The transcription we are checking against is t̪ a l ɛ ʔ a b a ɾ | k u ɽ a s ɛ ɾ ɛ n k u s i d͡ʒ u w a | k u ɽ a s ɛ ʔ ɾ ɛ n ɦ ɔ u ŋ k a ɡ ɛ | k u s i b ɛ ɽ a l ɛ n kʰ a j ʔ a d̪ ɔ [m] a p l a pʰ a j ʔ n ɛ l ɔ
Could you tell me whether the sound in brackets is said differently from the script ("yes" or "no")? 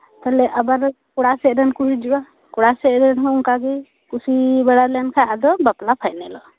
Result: yes